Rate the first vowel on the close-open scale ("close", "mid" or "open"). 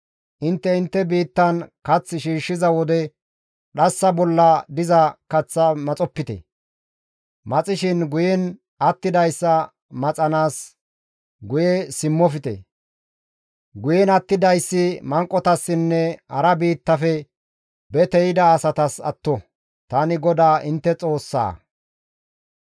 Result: close